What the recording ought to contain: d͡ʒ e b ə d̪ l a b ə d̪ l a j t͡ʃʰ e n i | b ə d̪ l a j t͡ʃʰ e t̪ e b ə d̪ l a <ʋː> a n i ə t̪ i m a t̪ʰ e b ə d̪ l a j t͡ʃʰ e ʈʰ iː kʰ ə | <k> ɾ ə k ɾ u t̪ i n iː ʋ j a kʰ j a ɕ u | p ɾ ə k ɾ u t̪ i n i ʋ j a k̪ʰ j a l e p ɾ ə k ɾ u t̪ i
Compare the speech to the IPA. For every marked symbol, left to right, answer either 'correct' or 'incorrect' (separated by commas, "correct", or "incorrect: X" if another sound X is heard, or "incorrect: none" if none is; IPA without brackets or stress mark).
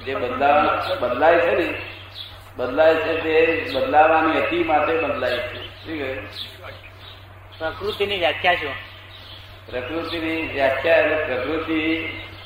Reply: incorrect: ʋ, incorrect: p